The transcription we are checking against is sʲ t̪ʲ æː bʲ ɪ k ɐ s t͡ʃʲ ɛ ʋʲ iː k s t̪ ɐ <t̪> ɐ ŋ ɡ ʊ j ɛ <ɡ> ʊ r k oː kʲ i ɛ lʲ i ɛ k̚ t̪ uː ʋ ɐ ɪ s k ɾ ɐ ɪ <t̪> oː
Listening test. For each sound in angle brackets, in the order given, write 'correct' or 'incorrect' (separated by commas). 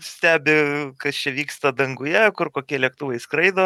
incorrect, incorrect, incorrect